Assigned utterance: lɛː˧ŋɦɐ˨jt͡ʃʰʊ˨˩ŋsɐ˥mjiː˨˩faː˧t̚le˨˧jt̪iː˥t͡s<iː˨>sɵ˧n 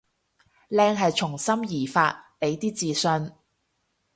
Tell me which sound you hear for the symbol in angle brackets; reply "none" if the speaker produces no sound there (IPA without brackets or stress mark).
iː˨